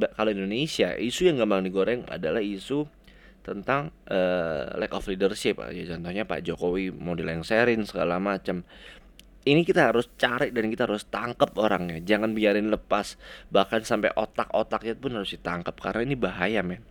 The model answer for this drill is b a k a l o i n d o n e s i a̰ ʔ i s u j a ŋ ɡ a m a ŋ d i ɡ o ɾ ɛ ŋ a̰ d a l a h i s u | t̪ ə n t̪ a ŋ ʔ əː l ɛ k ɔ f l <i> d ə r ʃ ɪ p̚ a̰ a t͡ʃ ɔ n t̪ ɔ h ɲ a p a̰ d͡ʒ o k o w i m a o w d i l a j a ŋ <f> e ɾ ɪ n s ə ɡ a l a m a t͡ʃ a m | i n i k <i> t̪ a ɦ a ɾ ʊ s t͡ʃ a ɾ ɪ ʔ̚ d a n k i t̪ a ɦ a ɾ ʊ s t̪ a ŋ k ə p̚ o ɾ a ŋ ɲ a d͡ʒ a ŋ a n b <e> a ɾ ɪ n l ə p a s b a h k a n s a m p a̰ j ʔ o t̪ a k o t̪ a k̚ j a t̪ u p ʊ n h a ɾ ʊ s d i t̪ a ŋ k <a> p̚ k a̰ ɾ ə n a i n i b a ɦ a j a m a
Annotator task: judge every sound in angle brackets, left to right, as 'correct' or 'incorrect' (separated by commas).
correct, incorrect, correct, incorrect, incorrect